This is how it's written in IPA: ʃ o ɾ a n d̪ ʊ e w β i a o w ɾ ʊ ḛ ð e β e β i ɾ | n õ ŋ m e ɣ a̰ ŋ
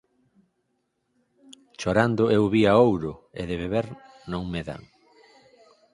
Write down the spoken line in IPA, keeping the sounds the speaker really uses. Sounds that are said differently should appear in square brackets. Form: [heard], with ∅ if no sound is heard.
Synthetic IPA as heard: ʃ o ɾ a n d̪ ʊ e w β i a o w ɾ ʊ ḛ ð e β e β [e] ɾ | n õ ŋ m e [ð] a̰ ŋ